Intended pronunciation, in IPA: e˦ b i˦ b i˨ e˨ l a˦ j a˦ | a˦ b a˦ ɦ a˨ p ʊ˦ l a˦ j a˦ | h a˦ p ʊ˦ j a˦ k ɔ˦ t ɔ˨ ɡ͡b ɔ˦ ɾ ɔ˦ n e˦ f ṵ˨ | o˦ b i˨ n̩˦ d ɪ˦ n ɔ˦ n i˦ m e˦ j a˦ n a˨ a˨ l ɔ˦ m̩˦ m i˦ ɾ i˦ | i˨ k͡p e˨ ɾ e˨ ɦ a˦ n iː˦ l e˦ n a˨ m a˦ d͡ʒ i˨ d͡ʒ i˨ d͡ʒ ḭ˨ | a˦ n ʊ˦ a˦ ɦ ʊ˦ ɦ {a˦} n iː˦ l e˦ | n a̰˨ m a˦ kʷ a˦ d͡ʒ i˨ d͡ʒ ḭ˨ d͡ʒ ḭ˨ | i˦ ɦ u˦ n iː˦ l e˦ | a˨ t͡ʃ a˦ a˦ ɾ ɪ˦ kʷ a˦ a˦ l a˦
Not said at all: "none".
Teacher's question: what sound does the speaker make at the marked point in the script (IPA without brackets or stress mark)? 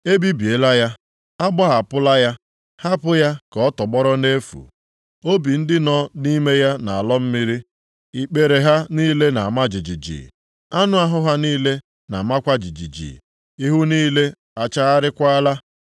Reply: a˦